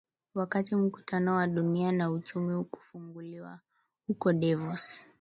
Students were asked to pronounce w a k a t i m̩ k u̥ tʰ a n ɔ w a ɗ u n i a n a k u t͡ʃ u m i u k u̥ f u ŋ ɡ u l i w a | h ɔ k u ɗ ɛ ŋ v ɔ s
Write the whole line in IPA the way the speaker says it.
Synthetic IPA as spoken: w a k a t i m̩ k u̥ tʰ a n ɔ w a ɗ u n i a n a u t͡ʃ u m i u k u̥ f u ŋ ɡ u l i w a | h u k ɔ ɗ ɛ v ɔ s